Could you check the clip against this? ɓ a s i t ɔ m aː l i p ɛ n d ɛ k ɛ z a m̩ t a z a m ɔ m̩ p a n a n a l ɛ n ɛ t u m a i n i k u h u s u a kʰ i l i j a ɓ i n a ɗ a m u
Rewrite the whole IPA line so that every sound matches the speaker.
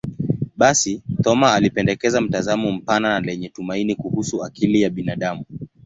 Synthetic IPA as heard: ɓ a s i t ɔ m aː l i p ɛ n d ɛ k ɛ z a m̩ t a z a m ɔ m̩ p a n a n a l ɛ ɲ ɛ t u m a i n i k u h u s u a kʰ i l i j a ɓ i n a ɗ a m u